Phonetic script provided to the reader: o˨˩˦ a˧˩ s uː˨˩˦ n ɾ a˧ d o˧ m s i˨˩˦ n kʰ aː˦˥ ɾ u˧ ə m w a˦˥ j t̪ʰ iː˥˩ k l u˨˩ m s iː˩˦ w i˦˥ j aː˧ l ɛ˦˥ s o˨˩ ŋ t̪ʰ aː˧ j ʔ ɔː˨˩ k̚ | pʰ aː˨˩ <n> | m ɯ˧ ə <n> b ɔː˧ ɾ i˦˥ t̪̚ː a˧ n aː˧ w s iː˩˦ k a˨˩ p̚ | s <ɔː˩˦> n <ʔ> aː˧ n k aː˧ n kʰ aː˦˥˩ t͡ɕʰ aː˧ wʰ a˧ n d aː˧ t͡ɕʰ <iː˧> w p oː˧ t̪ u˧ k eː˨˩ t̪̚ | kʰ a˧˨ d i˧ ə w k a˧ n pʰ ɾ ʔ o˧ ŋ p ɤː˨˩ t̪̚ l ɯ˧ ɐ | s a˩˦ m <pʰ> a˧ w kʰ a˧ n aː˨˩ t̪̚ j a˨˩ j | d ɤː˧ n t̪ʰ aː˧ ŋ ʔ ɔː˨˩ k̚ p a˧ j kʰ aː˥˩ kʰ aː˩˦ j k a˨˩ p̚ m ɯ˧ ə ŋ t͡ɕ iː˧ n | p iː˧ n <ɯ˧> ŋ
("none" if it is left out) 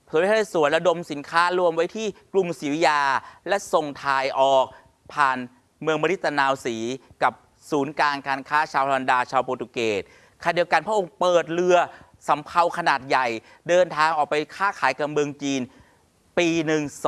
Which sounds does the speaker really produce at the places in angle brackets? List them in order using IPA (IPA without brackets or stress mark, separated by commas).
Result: n, ŋ, uː˩˦, k, aː˧, pʰ, ɯ˨˩